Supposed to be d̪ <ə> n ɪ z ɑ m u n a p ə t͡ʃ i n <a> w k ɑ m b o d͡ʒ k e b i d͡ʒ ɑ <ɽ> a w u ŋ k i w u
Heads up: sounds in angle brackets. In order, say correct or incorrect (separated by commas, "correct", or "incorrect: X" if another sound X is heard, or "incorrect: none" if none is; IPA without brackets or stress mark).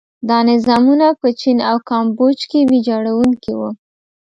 incorrect: ɑ, correct, correct